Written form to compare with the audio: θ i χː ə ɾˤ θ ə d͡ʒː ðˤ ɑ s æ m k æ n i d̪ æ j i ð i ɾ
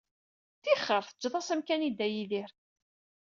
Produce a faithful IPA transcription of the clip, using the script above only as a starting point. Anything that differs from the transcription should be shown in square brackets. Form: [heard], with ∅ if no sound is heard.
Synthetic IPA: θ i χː ə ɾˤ θ ə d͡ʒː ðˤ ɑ s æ m k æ n i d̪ æ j i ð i ɾ